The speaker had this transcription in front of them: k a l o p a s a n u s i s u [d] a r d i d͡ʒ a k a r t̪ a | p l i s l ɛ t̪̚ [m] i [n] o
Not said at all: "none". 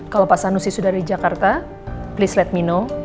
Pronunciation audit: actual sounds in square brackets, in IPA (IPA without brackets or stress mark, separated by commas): d, m, n